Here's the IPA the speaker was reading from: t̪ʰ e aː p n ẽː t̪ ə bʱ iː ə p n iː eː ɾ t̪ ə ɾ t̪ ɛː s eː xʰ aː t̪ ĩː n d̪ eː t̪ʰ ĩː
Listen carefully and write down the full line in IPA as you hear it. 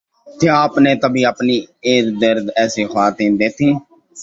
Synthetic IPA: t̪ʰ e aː p n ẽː t̪ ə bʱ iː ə p n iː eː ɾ d̪ ə ɾ d̪ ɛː s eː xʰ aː t̪ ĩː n d̪ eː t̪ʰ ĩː